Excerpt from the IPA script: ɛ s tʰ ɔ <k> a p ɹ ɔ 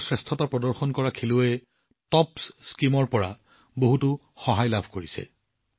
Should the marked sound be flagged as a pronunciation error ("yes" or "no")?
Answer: yes